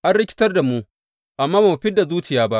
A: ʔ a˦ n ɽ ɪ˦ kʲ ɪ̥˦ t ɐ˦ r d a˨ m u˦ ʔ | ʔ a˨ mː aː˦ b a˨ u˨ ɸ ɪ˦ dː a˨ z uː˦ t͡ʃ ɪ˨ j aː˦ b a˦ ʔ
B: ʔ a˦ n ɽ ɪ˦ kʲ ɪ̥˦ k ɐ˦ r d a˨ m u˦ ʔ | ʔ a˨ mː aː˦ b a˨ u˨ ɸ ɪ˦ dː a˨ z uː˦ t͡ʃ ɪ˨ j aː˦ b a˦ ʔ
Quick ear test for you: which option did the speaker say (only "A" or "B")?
A